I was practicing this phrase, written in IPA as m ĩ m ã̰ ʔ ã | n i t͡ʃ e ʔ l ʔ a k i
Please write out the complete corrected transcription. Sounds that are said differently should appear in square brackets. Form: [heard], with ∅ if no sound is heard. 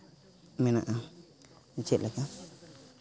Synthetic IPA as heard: m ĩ [n] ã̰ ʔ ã | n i t͡ʃ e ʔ l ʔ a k [a]